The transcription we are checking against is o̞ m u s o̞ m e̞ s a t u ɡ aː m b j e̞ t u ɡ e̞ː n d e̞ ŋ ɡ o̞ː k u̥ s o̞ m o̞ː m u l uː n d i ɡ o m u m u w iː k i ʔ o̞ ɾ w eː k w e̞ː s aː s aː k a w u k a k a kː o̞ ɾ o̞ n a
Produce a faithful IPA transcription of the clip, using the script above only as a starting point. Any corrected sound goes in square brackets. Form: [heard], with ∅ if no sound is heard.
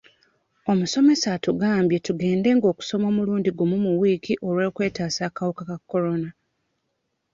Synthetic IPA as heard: o̞ m u s o̞ m e̞ s a t u ɡ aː m b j e̞ t u ɡ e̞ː n d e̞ ŋ ɡ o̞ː k u̥ s o̞ m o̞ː m u l uː n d i ɡ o m u m u w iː k i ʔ o̞ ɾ w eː k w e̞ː [t] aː s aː k a w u k a k a kː o̞ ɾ o̞ n a